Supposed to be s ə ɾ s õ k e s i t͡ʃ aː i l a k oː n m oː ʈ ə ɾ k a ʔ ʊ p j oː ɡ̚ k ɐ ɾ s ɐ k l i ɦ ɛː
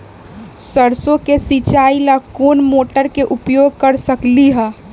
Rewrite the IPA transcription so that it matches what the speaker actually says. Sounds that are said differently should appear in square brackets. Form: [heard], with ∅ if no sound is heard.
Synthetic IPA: s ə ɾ s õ k e s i t͡ʃ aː i l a k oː n m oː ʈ ə ɾ k [e] ʔ ʊ p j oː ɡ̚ k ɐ ɾ s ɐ k l i ɦ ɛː